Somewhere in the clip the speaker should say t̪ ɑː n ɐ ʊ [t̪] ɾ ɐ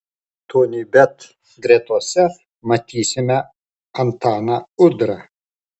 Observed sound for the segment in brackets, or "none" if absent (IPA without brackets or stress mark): d̪